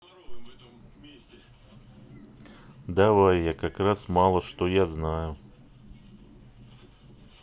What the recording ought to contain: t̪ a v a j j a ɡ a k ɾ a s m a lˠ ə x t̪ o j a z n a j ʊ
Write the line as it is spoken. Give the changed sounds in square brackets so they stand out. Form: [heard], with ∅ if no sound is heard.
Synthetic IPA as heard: [d̪] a v a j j a [k] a k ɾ a s m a lˠ ə [ʂ] t̪ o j a z n a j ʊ